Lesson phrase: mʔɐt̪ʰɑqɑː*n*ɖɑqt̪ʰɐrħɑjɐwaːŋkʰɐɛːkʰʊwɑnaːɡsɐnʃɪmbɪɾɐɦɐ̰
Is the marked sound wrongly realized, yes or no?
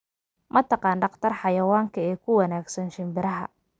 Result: no